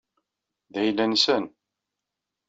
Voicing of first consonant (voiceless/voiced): voiced